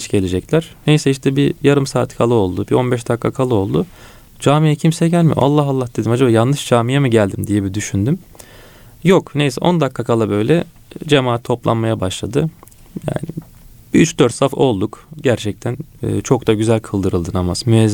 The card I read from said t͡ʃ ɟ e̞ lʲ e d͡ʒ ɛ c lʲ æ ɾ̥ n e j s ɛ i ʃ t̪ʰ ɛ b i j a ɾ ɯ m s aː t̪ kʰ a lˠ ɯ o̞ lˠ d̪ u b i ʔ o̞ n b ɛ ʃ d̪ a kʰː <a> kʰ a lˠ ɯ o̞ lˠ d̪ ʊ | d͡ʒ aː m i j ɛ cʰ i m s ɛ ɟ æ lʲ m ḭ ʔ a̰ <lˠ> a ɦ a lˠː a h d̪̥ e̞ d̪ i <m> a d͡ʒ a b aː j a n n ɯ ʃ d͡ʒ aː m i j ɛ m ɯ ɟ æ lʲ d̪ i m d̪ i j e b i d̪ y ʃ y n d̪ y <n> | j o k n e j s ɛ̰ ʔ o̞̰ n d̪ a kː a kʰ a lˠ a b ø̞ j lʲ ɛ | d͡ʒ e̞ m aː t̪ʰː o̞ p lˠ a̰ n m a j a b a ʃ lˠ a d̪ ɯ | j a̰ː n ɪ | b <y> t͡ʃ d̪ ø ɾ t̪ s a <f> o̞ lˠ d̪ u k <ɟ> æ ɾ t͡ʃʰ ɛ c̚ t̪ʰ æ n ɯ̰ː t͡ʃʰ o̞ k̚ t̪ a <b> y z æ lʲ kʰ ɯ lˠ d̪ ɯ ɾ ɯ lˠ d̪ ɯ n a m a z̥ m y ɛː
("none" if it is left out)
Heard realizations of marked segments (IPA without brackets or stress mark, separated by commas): a, lˠː, m, m, y, f, ɟ, ɟ